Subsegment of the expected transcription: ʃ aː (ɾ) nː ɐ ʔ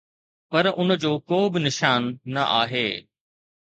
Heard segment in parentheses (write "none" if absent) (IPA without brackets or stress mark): none